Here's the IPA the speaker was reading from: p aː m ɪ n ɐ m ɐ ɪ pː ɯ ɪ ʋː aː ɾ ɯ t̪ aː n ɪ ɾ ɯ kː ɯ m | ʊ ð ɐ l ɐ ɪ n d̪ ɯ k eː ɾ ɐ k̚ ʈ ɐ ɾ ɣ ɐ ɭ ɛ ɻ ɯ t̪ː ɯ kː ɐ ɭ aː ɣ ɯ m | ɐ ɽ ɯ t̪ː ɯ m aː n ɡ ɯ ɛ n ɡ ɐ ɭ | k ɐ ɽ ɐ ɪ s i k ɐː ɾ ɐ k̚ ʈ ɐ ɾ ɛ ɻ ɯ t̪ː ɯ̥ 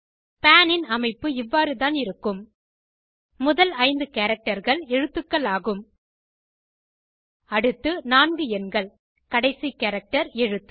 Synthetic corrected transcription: p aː n ɪ n ɐ m ɐ ɪ pː ɯ ɪ ʋː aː ɾ ɯ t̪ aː n ɪ ɾ ɯ kː ɯ m | ʊ ð ɐ l ɐ ɪ n d̪ ɯ k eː ɾ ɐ k̚ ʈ ɐ ɾ ɣ ɐ ɭ ɛ ɻ ɯ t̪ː ɯ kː ɐ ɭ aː ɣ ɯ m | ɐ ɽ ɯ t̪ː ɯ n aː n ɡ ɯ ɛ n ɡ ɐ ɭ | k ɐ ɽ ɐ ɪ s i k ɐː ɾ ɐ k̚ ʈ ɐ ɾ ɛ ɻ ɯ t̪ː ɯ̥